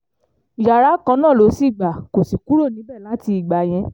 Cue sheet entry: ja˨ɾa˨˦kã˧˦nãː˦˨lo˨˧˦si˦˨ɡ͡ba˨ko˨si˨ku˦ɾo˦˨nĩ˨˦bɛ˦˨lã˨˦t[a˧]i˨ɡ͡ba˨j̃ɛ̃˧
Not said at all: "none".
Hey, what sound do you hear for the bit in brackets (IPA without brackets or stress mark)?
i˧